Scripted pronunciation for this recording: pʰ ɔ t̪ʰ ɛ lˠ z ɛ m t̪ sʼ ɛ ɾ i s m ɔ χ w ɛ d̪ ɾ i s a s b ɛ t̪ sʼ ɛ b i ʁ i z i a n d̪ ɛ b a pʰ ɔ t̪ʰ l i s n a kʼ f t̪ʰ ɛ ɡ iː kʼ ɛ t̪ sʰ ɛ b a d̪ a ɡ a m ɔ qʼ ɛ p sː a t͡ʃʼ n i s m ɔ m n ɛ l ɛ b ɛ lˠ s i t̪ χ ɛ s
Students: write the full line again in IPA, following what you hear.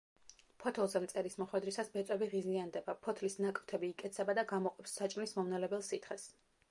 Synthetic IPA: pʰ ɔ t̪ʰ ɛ lˠ z ɛ m t̪ sʼ ɛ ɾ i s m ɔ χ w ɛ d̪ ɾ i s a s b ɛ t̪ sʼ ɛ b i ʁ i z i a n d̪ ɛ b a pʰ ɔ t̪ʰ l i s n a kʼ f t̪ʰ ɛ b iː kʼ ɛ t̪ sʰ ɛ b a d̪ a ɡ a m ɔ qʼ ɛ p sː a t͡ʃʼ n i s m ɔ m n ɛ l ɛ b ɛ lˠ s i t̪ χ ɛ s